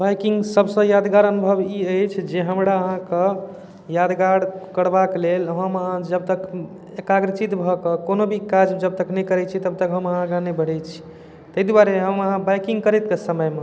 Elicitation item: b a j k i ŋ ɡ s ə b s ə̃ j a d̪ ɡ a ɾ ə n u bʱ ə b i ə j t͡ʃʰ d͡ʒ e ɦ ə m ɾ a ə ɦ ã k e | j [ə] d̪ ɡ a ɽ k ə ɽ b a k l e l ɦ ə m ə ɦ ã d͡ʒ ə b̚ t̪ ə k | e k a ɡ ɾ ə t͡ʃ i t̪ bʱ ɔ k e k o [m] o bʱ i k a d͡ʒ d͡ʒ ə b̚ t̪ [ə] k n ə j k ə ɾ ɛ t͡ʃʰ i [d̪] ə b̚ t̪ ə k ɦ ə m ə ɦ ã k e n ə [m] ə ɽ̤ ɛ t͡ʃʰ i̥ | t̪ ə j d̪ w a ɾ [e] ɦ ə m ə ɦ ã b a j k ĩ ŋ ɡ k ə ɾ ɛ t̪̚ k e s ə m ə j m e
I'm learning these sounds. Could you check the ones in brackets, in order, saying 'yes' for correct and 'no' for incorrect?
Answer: no, no, yes, no, no, yes

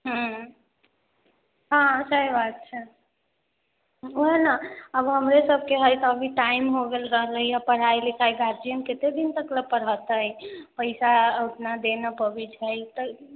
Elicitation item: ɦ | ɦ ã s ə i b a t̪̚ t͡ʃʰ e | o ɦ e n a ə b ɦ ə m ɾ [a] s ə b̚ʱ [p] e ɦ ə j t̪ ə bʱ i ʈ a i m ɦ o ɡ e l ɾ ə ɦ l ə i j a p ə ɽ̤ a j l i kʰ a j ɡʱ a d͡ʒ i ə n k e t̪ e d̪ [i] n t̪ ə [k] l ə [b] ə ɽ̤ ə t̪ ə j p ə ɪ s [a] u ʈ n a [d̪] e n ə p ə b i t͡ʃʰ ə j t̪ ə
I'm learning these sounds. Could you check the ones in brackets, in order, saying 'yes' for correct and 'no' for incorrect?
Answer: no, no, yes, yes, no, yes, yes

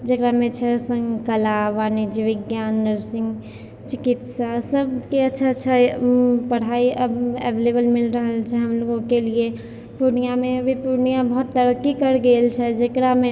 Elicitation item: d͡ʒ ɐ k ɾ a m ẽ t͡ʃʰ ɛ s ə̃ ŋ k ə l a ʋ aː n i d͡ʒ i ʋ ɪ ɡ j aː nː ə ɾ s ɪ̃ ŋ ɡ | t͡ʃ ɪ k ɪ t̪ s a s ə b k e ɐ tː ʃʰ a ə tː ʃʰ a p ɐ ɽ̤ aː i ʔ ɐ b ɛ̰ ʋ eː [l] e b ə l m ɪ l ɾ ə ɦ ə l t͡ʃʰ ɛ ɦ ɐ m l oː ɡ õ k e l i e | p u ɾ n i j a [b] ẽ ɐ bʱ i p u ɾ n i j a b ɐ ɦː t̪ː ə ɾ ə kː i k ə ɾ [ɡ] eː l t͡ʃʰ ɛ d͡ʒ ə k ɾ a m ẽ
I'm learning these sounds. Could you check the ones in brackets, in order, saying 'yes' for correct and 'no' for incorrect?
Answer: yes, no, yes

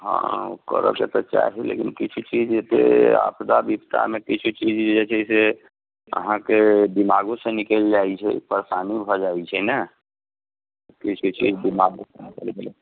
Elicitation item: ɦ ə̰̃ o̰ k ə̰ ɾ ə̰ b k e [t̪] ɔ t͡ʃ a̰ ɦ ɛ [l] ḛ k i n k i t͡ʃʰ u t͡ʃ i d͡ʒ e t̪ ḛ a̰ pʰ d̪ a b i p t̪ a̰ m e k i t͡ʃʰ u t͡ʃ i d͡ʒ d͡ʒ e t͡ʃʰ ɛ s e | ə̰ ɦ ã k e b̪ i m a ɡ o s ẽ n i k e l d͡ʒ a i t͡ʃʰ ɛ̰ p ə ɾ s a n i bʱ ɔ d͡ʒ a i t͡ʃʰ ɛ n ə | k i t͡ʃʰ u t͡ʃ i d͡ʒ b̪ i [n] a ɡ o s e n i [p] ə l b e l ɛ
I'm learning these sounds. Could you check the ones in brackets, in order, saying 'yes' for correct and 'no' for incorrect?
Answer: yes, yes, no, no

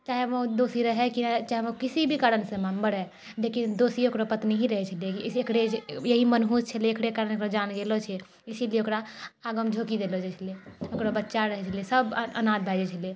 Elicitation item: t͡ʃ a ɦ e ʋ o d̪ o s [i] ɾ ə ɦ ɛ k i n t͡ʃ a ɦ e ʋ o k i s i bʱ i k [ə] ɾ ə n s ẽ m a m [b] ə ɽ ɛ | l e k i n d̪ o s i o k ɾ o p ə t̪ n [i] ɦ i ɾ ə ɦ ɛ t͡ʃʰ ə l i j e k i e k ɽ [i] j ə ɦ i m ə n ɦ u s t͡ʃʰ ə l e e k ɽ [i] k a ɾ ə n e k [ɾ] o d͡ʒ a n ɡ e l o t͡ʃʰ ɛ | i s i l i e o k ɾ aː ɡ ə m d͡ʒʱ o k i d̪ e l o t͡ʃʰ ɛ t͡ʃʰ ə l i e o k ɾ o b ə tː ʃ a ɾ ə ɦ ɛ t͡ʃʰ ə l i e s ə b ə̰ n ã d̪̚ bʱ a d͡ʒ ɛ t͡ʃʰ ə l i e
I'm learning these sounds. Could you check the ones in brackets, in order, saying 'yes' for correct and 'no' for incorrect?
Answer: yes, no, yes, yes, no, no, yes

